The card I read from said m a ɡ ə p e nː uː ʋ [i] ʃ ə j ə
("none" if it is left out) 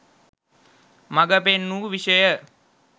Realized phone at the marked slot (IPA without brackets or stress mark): i